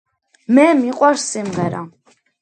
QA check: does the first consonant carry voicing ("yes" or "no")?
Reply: yes